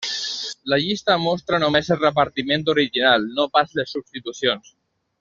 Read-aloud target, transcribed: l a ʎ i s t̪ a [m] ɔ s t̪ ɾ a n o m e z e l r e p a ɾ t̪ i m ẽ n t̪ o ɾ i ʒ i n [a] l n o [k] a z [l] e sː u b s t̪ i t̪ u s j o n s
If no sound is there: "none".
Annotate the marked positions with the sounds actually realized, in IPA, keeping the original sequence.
m, a, p, l

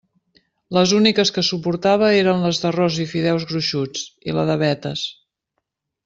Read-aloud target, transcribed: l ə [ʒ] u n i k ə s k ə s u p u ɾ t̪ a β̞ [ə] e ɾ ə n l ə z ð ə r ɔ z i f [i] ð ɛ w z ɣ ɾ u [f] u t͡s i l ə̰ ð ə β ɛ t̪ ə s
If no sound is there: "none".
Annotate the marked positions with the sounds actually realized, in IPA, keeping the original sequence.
z, ə, i, ʃ

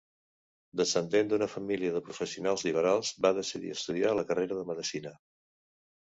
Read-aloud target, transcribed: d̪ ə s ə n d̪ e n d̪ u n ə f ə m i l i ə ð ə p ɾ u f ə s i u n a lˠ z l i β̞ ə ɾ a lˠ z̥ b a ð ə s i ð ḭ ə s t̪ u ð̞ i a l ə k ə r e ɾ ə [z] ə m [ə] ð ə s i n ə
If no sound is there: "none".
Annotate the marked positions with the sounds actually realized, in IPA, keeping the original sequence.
ð, ə

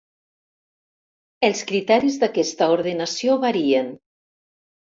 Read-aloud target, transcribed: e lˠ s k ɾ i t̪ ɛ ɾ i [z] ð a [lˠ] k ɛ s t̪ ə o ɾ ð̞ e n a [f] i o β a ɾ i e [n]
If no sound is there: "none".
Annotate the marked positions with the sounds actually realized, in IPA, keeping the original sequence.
z, none, s, n

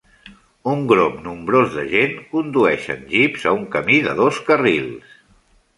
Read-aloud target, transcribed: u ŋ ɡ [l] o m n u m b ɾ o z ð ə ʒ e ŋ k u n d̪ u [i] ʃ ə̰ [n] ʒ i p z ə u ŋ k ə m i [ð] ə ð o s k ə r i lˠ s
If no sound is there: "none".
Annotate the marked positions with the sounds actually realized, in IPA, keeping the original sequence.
ɾ, ɛ, n, ð

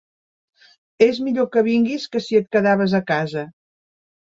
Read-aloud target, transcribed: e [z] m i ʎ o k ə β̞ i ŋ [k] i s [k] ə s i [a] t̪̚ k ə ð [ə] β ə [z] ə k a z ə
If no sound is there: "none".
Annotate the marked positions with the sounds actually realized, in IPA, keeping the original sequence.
z, ɡ, k, ə, a, z

